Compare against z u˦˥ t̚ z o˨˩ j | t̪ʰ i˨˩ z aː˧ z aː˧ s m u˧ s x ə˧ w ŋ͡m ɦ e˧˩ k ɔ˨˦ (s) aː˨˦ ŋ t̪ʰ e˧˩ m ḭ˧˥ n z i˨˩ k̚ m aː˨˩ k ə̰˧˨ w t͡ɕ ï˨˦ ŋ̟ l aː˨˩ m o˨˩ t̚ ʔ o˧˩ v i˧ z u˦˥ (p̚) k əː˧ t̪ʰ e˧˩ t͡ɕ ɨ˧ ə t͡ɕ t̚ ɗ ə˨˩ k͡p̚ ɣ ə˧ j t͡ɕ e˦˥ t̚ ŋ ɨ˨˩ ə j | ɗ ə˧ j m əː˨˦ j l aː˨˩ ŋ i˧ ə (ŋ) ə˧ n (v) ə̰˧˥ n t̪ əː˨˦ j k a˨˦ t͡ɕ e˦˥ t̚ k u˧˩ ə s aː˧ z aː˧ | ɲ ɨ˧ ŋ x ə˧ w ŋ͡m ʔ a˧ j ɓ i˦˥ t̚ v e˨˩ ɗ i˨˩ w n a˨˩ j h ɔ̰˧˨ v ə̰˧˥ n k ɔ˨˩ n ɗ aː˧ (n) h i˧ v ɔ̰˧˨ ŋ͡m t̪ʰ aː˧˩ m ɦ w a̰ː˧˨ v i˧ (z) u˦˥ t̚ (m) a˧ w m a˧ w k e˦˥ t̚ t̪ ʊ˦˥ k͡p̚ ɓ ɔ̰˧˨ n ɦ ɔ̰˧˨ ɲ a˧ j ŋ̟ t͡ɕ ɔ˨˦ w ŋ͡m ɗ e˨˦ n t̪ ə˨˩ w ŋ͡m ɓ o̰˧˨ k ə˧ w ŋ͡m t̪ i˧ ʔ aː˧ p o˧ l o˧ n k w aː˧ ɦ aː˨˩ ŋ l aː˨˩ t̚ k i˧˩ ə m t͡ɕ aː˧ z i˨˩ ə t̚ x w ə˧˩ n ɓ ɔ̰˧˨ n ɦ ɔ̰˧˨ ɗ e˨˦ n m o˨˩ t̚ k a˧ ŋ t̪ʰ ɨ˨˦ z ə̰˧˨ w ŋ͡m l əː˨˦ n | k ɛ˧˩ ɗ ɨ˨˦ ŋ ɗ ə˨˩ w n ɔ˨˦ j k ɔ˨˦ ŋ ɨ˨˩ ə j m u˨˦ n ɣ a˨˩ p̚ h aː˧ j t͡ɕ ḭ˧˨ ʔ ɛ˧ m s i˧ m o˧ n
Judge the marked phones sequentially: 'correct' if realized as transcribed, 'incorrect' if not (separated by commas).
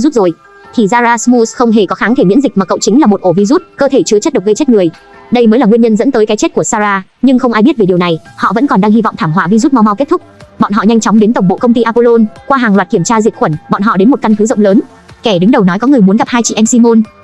incorrect, incorrect, incorrect, incorrect, incorrect, correct, correct